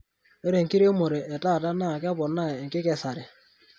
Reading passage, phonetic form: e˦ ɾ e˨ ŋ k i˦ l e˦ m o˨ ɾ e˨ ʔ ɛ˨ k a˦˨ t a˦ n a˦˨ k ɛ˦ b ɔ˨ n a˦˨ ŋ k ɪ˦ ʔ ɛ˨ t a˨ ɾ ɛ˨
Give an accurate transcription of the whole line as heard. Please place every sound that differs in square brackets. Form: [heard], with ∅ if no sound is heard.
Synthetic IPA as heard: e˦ ɾ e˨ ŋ k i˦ [ɾ] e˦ m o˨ ɾ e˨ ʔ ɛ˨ [t] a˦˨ t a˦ n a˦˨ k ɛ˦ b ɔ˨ n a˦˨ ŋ k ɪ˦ [k] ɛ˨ [s] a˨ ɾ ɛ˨